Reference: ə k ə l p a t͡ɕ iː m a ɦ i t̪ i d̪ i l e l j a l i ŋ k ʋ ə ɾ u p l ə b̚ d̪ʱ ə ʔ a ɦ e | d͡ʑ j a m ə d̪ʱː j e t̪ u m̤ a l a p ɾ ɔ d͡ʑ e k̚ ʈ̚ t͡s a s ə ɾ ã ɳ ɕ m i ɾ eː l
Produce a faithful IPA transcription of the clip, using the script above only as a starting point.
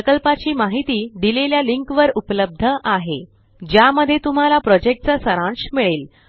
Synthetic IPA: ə k ə l p a t͡ɕ iː m a ɦ i t̪ iː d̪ i l e l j a l i ŋ k ʋ ə ɾ u p l ə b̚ d̪ʱ ə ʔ a ɦ e | d͡ʑ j a m ə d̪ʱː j e t̪ u m̤ a l a p ɾ ɔ d͡ʑ e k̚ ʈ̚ t͡s a s ə ɾ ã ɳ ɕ m i ɭ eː l